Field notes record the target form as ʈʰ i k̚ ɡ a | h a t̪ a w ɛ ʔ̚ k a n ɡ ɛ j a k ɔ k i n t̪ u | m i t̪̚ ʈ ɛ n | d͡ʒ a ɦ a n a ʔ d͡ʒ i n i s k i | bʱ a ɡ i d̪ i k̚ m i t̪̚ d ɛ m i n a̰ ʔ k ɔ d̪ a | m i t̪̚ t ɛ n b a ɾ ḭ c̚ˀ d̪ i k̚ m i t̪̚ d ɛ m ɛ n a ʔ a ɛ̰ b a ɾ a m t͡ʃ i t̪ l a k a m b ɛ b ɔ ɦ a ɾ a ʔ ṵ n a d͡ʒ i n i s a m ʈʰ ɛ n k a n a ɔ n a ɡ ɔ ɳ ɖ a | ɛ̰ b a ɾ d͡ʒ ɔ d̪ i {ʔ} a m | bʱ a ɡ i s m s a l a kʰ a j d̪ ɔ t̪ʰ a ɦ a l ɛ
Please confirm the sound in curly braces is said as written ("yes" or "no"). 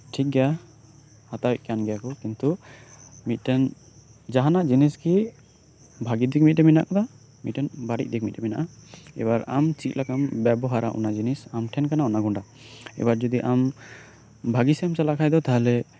yes